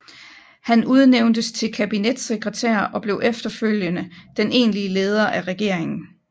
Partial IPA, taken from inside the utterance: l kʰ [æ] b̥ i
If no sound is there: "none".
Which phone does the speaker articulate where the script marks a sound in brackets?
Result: æ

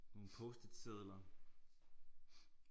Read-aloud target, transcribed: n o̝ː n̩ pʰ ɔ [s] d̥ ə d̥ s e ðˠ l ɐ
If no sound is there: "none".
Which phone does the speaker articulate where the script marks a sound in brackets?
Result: s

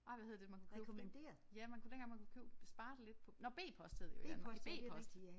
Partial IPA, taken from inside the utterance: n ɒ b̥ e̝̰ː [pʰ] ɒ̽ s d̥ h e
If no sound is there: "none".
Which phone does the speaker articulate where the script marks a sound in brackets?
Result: pʰ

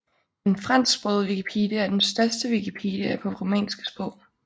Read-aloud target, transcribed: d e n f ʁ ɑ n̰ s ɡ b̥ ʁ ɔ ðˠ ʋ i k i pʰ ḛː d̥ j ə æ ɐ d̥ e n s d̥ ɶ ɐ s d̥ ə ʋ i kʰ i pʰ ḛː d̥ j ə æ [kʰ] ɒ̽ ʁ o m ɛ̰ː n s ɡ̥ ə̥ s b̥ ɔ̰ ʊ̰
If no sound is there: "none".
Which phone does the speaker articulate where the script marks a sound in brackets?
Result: pʰ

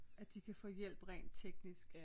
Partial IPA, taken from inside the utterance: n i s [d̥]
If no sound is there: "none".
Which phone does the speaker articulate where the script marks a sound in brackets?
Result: ɡ̥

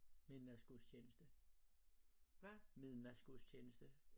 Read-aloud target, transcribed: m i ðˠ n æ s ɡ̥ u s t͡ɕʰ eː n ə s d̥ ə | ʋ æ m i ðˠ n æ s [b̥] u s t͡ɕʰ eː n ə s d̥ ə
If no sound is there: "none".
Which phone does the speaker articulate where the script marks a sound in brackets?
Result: ɡ̥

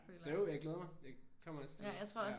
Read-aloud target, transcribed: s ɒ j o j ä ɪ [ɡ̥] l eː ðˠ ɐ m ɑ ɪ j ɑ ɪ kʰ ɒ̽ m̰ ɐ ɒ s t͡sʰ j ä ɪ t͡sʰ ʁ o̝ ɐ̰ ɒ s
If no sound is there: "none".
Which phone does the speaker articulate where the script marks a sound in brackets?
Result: ɡ̥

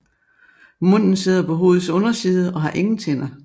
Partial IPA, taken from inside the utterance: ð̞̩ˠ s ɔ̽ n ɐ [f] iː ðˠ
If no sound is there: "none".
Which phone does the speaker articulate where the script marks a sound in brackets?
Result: s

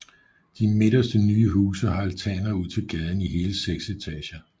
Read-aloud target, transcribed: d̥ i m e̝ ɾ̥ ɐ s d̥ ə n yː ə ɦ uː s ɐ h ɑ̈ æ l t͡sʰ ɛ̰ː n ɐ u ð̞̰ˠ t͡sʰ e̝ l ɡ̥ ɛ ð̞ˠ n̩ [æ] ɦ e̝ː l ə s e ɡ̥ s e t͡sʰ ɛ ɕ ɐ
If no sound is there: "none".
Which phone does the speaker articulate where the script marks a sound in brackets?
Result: i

